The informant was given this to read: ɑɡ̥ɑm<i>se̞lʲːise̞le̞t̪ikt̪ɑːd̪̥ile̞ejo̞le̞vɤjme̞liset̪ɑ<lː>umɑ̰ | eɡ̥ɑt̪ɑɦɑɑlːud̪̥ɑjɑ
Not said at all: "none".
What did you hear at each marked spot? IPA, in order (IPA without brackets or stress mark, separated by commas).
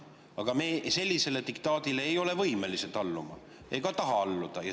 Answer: e, lː